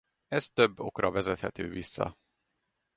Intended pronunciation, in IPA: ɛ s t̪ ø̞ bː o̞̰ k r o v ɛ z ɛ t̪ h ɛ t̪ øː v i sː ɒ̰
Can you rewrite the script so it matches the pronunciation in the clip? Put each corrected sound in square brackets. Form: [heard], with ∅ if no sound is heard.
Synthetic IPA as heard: ɛ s t̪ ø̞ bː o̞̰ k r [ɒ] v ɛ z ɛ t̪ h ɛ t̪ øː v i sː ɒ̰